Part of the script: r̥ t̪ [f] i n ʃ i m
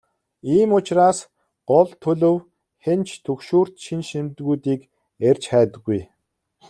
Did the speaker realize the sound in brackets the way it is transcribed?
no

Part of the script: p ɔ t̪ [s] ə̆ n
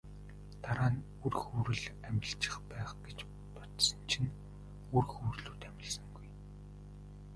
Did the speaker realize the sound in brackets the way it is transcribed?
yes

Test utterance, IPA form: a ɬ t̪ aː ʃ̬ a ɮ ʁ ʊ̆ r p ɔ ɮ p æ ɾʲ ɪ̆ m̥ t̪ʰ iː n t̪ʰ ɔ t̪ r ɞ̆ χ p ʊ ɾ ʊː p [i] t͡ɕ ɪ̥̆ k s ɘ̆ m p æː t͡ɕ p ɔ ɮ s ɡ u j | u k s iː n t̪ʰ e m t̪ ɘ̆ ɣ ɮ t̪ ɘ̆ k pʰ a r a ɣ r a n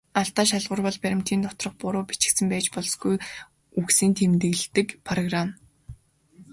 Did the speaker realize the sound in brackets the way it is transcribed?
yes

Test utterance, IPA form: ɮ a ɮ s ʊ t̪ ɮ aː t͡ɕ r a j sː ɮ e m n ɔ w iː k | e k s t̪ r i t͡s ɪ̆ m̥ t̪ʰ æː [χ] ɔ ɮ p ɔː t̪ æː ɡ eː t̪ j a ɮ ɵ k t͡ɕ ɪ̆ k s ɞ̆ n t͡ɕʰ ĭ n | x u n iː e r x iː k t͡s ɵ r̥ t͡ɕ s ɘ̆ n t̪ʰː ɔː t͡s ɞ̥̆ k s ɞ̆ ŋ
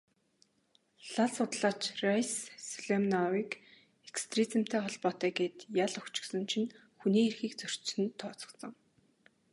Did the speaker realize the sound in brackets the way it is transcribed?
yes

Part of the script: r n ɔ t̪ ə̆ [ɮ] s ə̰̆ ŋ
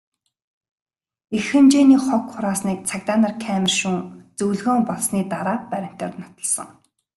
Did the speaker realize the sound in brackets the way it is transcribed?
yes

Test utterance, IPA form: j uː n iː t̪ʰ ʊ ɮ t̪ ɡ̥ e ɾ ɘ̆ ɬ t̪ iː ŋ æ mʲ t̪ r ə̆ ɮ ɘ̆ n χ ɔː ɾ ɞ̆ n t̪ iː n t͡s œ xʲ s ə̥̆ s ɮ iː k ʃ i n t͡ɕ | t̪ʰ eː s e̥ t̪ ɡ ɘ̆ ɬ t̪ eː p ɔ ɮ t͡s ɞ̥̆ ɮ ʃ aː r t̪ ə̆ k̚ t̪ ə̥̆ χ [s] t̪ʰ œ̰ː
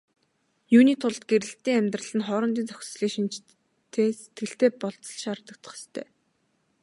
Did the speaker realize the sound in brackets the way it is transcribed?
yes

